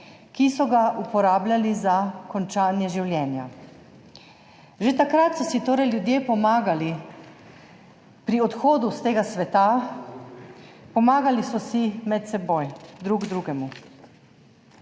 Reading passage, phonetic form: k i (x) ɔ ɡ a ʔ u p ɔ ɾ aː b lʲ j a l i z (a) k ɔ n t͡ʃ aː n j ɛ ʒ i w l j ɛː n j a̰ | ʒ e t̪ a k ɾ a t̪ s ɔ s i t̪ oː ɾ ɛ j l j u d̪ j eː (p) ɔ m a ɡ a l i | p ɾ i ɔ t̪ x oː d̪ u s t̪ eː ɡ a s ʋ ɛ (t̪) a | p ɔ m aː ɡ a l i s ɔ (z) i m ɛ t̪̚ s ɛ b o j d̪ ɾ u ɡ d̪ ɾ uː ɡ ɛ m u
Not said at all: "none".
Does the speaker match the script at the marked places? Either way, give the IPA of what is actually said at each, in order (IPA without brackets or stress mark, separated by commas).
s, a, p, t̪, s